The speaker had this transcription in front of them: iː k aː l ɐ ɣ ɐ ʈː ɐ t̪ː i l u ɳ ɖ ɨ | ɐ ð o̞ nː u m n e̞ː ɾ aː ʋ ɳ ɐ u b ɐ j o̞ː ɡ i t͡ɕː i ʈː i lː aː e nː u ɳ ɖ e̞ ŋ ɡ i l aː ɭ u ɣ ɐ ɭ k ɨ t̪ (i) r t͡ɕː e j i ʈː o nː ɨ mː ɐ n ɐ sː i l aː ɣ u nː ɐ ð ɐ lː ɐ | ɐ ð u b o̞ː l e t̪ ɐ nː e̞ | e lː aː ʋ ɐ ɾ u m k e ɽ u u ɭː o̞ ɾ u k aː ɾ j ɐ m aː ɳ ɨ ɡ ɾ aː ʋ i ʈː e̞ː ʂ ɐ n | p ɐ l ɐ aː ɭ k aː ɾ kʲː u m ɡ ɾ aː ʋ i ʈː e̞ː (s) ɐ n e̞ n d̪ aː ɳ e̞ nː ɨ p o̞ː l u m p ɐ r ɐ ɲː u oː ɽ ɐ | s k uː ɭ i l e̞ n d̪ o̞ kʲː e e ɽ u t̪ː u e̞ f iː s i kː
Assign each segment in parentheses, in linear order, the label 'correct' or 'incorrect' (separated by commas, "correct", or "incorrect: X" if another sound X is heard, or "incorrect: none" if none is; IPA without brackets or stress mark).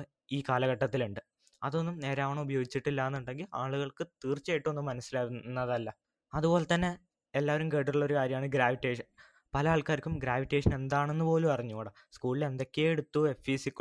incorrect: iː, incorrect: ʂ